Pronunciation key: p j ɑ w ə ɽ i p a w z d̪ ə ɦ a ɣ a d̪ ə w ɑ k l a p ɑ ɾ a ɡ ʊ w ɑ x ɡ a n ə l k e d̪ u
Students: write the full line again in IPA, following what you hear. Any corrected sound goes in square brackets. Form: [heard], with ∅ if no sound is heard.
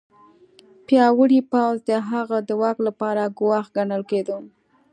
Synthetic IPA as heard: p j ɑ w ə ɽ i p a w z d̪ ə ɦ a ɣ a d̪ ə w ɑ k l a p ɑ ɾ a ɡ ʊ w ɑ x ɡ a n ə l k e d̪ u